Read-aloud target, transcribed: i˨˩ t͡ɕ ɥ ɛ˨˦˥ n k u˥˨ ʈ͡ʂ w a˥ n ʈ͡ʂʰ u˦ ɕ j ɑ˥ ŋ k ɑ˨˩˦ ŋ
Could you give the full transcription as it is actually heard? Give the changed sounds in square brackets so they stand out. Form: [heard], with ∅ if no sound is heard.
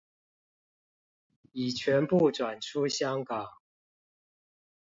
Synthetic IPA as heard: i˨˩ [t͡ɕʰ] ɥ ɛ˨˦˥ n [p] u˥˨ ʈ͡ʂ w [a˨˩] n ʈ͡ʂʰ u˦ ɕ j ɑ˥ ŋ k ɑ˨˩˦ ŋ

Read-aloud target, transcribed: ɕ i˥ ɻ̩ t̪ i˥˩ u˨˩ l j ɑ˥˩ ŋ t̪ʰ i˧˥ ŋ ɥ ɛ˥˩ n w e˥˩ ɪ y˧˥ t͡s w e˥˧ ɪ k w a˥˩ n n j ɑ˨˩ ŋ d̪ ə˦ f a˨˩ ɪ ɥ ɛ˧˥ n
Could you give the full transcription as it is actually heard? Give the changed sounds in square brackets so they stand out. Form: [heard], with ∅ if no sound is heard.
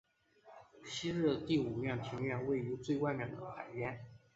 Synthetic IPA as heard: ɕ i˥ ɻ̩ t̪ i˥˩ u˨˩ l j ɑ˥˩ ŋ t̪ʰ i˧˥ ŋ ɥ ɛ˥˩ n w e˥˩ ɪ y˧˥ t͡s w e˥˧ ɪ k w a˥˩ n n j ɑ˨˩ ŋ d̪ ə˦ [x] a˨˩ ɪ ɥ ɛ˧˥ n

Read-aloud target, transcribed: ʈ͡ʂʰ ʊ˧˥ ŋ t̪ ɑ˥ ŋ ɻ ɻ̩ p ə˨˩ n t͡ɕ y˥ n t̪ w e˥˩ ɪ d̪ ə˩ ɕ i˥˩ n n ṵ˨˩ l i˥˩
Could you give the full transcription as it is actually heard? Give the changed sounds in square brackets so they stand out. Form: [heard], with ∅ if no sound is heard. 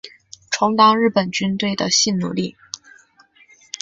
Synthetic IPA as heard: ʈ͡ʂʰ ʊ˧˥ ŋ t̪ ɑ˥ ŋ ɻ ɻ̩ p ə˨˩ n t͡ɕ y˥ n t̪ w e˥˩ ɪ d̪ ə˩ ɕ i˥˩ n n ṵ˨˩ l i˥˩

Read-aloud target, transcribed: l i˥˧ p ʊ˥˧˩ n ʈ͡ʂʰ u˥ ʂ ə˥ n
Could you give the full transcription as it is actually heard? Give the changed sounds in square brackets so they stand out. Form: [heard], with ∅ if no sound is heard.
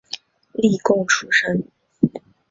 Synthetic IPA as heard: l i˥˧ [k] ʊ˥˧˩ [ŋ] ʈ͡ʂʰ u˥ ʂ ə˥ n

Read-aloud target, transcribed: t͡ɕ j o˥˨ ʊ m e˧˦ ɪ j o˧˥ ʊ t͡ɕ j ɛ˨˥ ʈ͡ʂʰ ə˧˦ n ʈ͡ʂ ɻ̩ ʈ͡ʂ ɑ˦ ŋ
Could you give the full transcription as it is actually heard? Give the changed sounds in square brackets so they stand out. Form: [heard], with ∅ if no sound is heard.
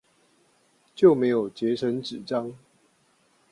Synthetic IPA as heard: t͡ɕ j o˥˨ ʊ m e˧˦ ɪ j [o˨˩] ʊ t͡ɕ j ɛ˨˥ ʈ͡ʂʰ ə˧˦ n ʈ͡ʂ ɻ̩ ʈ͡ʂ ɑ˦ ŋ

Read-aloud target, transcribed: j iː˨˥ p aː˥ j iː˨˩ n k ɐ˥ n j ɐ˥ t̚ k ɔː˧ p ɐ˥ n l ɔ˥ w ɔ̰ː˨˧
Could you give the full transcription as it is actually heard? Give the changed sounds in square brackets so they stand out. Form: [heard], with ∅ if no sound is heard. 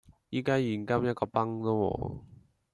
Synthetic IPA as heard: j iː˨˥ [k] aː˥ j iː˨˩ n k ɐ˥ [m] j ɐ˥ t̚ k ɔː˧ p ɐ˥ [ŋ] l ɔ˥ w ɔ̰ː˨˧

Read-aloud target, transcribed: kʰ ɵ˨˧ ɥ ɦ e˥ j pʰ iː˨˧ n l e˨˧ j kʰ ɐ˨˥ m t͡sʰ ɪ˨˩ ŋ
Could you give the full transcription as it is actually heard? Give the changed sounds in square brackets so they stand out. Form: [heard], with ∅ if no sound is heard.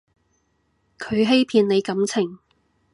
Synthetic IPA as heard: kʰ ɵ˨˧ ɥ ɦ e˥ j pʰ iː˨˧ n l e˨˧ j [k] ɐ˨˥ m t͡sʰ ɪ˨˩ ŋ

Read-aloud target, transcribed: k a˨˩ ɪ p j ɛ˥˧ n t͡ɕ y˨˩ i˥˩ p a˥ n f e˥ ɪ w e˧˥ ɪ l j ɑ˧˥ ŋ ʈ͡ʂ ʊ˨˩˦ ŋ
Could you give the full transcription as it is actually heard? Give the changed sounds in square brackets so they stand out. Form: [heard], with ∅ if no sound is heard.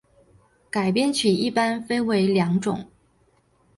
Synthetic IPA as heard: k a˨˩ ɪ p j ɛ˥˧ n [t͡ɕʰ] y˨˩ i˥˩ p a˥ n f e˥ ɪ w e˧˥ ɪ l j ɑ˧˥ ŋ ʈ͡ʂ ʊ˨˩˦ ŋ

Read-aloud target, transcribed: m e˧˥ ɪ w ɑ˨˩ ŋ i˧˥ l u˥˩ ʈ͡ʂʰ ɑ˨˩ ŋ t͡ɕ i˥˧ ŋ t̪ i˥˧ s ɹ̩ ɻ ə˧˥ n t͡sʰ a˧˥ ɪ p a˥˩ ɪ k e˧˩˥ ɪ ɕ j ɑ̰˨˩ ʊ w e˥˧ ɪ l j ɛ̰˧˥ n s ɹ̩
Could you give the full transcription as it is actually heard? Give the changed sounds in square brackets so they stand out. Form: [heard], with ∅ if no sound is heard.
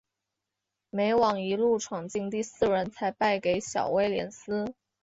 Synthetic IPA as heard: m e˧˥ ɪ w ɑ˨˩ ŋ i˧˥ l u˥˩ ʈ͡ʂʰ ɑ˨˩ ŋ t͡ɕ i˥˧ ŋ t̪ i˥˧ s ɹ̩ ɻ ə˧˥ n t͡sʰ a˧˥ ɪ p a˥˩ ɪ k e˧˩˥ ɪ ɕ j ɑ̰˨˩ ʊ w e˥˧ ɪ l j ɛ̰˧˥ n s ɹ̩

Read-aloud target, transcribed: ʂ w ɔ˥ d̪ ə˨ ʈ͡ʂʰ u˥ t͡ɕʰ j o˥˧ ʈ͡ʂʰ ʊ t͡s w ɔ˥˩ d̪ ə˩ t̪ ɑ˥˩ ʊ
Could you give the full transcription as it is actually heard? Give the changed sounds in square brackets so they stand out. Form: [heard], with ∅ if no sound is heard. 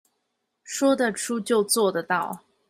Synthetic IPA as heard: ʂ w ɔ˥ d̪ ə˨ ʈ͡ʂʰ u˥ [t͡ɕ] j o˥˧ [∅] ʊ t͡s w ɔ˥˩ d̪ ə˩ t̪ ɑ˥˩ ʊ

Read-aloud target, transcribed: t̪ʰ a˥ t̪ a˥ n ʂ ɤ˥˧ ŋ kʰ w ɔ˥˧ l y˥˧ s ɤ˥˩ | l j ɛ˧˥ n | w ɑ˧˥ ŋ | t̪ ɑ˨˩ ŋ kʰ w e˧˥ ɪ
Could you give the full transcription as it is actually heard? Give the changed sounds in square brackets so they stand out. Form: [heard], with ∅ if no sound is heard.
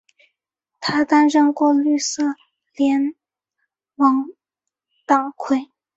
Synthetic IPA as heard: t̪ʰ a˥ t̪ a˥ n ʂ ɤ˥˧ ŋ [k] w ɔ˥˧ l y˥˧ s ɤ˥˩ | l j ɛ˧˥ n | w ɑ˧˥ ŋ | t̪ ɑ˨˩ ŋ kʰ w [e˥˩] ɪ

